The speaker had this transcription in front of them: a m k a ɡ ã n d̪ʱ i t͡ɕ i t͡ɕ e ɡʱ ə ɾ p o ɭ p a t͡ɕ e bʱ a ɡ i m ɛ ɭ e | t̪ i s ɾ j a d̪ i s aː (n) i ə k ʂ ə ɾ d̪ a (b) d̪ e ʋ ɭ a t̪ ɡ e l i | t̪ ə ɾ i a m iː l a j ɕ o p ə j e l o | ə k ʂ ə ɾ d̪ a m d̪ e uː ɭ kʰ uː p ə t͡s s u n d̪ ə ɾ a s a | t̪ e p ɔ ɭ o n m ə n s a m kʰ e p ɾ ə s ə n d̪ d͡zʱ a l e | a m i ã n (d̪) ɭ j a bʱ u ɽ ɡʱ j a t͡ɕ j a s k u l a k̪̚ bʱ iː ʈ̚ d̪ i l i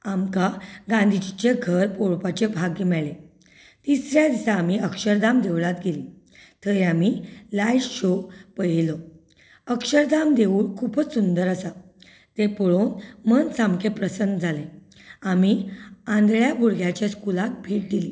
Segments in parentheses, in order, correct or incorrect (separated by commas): incorrect, incorrect, correct